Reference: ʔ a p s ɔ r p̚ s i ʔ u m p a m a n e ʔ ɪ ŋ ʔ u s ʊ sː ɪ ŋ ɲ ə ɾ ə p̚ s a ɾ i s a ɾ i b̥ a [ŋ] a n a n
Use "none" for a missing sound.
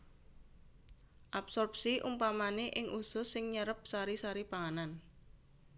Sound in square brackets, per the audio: ŋ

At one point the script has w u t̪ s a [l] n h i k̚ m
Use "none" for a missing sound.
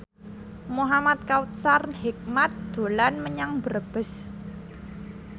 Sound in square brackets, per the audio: r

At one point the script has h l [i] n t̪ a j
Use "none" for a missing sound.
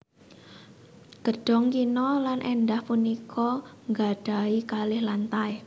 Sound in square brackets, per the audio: a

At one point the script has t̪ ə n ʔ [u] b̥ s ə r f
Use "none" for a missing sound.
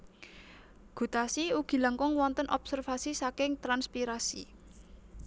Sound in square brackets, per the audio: ɔ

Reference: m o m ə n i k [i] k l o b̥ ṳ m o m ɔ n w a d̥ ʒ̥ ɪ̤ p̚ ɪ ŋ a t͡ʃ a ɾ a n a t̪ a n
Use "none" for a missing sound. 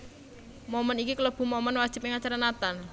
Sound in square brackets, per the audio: i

